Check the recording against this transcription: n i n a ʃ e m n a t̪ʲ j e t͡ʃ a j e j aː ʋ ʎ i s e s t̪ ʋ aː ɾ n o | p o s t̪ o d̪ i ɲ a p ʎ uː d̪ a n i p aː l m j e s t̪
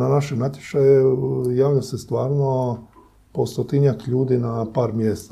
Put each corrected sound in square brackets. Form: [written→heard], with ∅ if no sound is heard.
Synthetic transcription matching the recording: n [i→a] n a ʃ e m n a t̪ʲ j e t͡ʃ a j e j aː ʋ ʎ [i→a] s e s t̪ ʋ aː ɾ n o | p o s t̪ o [d̪→t̪] i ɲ a [p→k] ʎ uː d̪ [a→i] n [i→a] p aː [l→ɾ] m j e s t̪